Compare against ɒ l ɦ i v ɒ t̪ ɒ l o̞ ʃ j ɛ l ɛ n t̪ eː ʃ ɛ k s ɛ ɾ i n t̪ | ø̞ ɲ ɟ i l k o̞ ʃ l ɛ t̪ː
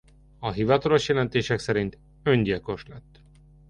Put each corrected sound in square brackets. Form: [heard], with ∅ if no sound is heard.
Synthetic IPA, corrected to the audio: ɒ [∅] ɦ i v ɒ t̪ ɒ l o̞ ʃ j ɛ l ɛ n t̪ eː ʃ ɛ k s ɛ ɾ i n t̪ | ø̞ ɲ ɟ i l k o̞ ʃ l ɛ t̪ː